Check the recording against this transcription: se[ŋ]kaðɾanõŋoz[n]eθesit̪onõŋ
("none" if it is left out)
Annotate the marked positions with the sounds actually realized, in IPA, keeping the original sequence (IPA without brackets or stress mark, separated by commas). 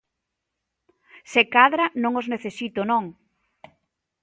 none, n